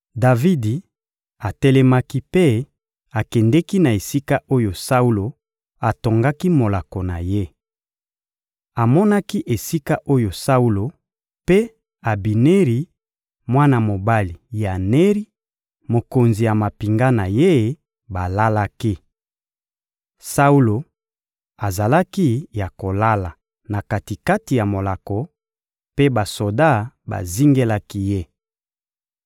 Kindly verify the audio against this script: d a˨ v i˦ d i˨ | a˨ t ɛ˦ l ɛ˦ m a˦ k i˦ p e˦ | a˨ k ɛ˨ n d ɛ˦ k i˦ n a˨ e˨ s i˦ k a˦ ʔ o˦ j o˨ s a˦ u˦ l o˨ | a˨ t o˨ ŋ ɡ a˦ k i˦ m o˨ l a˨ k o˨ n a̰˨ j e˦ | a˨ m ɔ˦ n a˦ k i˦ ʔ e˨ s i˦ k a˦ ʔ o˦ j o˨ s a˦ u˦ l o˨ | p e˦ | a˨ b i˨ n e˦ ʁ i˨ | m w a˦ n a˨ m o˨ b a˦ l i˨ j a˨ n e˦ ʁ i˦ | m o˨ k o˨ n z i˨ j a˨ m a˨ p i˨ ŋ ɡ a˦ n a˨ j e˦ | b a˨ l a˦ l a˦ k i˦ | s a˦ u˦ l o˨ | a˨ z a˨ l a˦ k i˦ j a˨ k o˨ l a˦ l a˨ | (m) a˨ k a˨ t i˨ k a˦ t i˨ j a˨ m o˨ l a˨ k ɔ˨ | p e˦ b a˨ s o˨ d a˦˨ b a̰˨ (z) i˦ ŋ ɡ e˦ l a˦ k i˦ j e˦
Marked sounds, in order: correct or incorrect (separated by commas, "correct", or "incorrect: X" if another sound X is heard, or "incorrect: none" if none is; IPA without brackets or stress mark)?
incorrect: n, correct